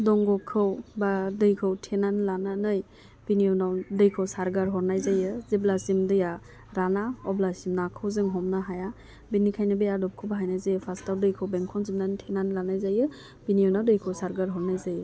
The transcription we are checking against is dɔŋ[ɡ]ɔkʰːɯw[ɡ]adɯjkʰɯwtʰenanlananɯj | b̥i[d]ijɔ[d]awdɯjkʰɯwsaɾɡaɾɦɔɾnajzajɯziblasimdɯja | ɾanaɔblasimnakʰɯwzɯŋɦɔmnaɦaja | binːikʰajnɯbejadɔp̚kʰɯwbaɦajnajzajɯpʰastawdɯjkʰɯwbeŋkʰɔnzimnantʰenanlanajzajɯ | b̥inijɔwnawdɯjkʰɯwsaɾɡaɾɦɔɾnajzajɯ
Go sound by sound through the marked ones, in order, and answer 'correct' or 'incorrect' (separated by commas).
correct, incorrect, incorrect, incorrect